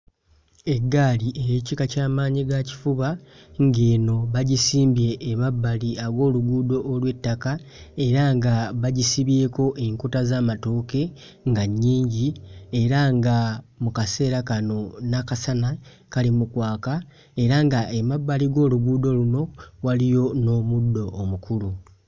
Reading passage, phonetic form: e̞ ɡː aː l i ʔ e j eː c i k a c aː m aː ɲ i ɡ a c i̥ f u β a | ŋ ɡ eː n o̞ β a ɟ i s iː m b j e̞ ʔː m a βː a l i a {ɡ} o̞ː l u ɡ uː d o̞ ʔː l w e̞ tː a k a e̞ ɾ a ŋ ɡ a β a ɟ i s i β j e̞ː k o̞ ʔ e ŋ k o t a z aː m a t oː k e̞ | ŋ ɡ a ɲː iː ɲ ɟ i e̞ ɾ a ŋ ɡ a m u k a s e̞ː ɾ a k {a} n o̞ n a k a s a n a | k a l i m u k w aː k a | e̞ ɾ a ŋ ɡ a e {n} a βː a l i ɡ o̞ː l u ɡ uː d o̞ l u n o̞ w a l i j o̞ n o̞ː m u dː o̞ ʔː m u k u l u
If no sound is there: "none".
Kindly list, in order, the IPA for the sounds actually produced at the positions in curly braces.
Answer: ɡ, a, m

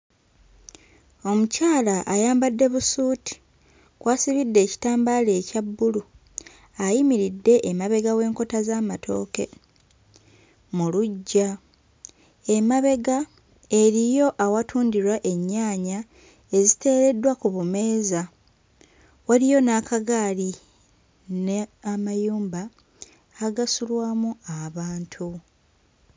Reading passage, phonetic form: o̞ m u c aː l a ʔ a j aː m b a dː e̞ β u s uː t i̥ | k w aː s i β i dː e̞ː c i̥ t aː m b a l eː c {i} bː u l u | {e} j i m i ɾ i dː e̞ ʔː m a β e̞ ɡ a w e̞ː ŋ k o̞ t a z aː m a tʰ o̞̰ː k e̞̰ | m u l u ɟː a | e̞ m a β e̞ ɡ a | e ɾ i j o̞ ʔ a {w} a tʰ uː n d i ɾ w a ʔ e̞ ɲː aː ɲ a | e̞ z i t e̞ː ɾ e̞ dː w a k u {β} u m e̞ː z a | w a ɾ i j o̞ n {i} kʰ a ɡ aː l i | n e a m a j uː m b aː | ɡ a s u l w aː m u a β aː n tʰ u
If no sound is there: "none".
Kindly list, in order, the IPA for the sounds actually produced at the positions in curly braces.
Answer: a, a, w, β, a

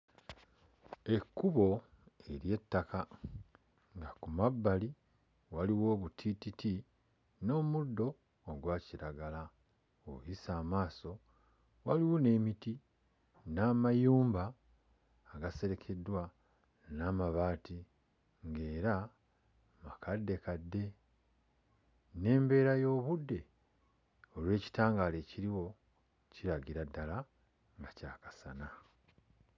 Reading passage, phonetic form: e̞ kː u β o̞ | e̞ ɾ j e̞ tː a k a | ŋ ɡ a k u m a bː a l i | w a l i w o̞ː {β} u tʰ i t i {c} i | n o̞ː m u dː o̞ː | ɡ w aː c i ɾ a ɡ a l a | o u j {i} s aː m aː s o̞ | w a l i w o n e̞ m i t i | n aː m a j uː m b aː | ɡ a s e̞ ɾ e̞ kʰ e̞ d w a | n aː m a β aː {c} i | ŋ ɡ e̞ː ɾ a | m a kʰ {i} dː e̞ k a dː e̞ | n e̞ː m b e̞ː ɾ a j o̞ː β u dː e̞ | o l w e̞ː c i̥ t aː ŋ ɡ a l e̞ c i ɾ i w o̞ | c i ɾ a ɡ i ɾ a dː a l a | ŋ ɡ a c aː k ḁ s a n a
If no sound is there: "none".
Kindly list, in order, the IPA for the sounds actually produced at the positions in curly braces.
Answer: β, t, i, t, a

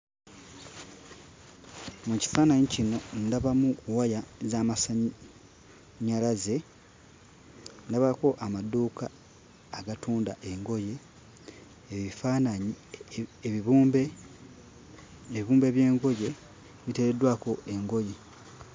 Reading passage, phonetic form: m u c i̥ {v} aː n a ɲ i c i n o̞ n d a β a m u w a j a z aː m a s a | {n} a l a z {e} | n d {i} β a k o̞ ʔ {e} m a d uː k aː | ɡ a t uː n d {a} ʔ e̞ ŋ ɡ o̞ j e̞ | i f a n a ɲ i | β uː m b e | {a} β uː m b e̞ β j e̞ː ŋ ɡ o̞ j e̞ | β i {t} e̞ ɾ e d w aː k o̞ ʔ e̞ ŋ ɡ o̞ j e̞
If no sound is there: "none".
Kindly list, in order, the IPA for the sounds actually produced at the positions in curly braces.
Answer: f, ɲ, e, a, a, a, i, t

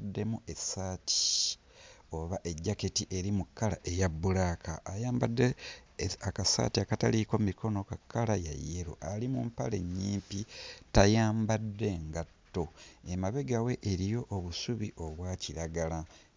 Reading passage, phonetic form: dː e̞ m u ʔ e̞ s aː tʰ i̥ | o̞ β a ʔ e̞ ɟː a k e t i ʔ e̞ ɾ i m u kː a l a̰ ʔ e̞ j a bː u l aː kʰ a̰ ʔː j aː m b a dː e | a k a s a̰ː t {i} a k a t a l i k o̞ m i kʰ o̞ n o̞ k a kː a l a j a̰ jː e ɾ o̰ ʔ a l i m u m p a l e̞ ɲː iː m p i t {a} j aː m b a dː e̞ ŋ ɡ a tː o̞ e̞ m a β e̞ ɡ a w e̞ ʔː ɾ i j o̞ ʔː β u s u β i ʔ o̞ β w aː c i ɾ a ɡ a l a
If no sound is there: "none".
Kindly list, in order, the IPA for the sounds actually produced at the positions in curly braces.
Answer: i, a

